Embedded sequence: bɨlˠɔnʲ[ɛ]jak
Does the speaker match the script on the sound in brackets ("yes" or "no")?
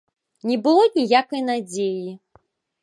no